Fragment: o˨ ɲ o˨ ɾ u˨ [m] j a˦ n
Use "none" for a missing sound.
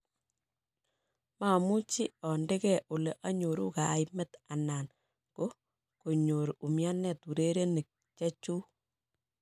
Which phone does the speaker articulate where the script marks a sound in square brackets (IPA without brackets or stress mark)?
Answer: m